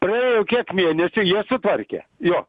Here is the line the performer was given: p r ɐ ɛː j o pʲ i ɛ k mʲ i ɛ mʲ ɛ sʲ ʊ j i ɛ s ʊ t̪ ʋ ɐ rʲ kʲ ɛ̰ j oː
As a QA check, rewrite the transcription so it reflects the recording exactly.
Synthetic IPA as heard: p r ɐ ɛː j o kʲ i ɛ k mʲ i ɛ nʲ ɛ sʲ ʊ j i ɛ s ʊ t̪ ʋ ɐ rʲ kʲ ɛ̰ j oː